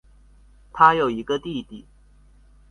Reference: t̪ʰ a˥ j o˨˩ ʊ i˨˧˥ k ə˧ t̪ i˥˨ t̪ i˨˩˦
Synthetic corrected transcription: t̪ʰ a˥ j o˨˩ ʊ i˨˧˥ ɡ ə˧ t̪ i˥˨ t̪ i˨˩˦